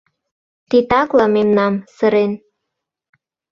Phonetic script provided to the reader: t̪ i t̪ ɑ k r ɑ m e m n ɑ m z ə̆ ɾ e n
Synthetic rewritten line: t̪ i t̪ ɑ k l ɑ m e m n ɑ m s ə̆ ɾ e n